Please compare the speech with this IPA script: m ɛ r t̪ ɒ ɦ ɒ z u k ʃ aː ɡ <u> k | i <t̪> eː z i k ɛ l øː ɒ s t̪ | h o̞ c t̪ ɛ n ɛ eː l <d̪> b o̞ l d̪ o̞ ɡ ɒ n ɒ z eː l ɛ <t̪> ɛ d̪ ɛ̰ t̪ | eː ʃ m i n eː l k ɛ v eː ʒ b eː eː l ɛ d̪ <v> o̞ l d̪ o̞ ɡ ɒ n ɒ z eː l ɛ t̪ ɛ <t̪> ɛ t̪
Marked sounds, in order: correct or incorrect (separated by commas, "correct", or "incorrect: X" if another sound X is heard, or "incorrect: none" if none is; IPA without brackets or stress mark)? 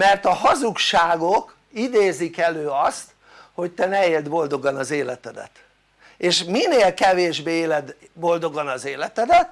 incorrect: o, incorrect: d̪, correct, correct, incorrect: b, incorrect: d̪